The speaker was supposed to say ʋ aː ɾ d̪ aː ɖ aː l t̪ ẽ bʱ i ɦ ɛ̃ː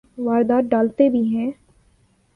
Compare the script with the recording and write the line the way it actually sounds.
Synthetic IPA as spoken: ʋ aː ɾ d̪ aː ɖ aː l t̪ e bʱ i ɦ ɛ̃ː